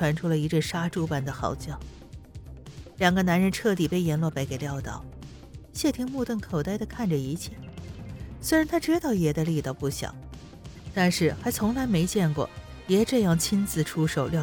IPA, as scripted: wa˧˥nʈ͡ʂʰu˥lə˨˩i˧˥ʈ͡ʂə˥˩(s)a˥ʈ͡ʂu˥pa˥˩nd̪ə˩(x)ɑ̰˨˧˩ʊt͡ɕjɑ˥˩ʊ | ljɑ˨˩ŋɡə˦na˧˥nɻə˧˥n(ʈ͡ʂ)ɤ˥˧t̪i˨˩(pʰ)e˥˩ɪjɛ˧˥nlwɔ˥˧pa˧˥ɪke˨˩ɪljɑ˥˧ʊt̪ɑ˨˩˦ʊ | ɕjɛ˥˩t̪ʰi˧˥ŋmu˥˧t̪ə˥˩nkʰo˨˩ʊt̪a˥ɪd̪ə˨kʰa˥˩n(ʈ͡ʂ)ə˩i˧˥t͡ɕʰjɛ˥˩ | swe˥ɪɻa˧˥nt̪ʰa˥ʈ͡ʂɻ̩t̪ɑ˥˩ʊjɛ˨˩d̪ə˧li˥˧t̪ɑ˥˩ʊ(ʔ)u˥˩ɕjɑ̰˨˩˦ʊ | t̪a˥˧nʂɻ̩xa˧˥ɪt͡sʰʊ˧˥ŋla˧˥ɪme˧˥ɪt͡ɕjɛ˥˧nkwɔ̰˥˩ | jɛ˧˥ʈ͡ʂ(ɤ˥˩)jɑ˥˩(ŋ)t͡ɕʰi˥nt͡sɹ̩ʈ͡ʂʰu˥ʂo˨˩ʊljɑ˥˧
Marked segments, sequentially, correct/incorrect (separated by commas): incorrect, correct, incorrect, incorrect, correct, incorrect, incorrect, correct